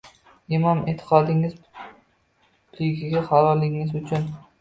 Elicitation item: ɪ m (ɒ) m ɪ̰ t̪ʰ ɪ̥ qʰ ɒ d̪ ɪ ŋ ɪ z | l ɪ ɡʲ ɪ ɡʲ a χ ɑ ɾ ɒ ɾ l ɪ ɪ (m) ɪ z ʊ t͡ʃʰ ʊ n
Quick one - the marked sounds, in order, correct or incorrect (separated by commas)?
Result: correct, incorrect